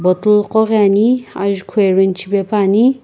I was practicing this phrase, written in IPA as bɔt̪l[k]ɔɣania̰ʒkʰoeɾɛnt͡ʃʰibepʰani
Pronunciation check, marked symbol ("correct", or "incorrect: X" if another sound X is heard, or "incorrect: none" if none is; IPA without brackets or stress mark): incorrect: q